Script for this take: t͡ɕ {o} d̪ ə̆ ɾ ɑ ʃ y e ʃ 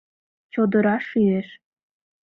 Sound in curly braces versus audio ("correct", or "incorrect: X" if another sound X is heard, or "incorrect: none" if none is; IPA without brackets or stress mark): correct